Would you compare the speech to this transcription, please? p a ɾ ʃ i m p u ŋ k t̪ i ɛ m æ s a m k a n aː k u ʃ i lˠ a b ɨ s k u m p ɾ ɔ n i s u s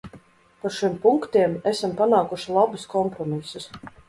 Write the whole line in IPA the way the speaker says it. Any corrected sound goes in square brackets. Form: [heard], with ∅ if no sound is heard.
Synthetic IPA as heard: p a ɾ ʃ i m p u ŋ k t̪ i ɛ m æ s a m [p] a n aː k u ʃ i lˠ a b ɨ s k [ɔ] m p ɾ ɔ [m] i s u s